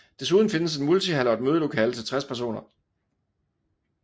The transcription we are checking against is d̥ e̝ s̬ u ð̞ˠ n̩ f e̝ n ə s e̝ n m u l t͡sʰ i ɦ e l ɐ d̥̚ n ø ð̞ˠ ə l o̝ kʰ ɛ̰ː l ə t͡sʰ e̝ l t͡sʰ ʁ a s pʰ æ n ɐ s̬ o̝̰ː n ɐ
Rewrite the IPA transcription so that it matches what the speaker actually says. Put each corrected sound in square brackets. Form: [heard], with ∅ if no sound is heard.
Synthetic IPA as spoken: d̥ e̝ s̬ u ð̞ˠ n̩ f e̝ n ə s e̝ n m u l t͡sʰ i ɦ [æ] l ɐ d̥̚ [m] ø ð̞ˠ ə l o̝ kʰ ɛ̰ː l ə t͡sʰ e̝ l t͡sʰ ʁ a s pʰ æ [∅] ɐ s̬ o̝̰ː n ɐ